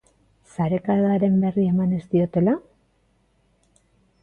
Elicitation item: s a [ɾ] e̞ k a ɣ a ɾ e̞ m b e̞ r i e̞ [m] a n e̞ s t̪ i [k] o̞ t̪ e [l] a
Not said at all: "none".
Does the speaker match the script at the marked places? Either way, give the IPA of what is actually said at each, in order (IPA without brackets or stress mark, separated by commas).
ɾ, m, none, l